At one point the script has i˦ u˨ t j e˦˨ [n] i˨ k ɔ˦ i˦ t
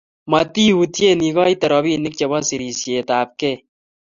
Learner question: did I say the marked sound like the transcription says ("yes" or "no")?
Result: yes